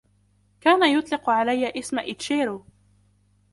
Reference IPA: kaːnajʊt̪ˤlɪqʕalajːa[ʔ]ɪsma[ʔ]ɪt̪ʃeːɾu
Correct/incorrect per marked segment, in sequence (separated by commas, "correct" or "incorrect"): correct, correct